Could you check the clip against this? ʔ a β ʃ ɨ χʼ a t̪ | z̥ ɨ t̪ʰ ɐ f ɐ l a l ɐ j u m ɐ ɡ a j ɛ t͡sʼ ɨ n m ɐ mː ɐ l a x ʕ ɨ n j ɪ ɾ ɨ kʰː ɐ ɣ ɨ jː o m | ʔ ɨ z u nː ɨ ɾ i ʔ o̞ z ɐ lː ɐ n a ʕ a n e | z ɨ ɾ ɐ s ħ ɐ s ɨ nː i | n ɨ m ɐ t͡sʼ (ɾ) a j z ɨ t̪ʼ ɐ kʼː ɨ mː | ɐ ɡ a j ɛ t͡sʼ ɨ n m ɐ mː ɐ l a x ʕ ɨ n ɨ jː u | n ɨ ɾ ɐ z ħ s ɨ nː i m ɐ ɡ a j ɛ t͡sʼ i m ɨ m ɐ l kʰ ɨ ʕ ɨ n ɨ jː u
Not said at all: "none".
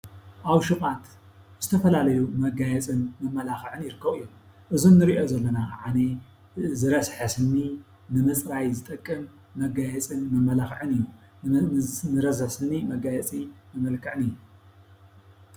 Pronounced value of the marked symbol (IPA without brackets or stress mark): ɾ